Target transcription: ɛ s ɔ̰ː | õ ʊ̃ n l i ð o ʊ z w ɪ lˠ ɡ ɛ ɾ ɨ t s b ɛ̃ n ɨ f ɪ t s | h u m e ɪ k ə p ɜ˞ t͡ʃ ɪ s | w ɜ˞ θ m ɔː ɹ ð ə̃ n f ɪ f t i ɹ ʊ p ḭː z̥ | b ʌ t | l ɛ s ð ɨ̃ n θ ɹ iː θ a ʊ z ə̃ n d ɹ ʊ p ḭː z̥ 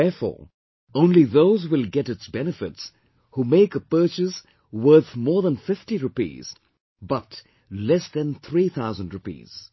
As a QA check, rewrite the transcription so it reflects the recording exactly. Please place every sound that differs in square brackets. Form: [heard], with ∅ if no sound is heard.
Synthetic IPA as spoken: ɛ [f] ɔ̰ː | õ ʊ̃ n l i ð o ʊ z w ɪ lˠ ɡ ɛ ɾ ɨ t s b [ɛ] n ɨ f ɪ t s | h u m e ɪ k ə p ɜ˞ t͡ʃ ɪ s | w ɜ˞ θ m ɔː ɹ ð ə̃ n f ɪ f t i ɹ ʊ p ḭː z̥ | b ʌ t | l ɛ s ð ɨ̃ n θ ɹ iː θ a ʊ z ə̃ n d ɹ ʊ p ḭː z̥